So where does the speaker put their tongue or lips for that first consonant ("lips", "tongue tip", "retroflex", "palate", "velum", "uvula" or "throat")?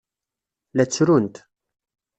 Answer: tongue tip